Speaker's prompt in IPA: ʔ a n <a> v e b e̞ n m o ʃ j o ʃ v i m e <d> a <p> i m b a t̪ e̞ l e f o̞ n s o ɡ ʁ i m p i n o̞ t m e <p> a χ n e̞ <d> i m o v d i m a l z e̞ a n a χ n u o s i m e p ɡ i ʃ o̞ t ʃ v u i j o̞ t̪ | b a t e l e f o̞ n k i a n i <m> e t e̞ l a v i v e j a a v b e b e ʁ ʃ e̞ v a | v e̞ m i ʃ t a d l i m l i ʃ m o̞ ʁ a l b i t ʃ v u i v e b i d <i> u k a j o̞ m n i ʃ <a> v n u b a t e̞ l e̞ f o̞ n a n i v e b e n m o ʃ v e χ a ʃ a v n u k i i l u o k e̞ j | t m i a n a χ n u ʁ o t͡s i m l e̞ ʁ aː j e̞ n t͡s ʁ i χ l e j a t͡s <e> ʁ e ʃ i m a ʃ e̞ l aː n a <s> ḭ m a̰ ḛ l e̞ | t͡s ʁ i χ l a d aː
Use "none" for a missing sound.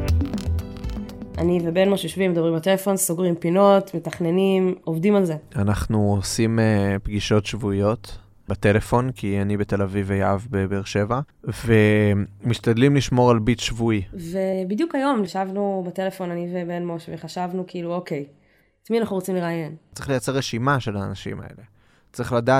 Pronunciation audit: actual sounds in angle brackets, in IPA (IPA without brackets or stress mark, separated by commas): i, d, b, t, n, b, j, a, e, ʃ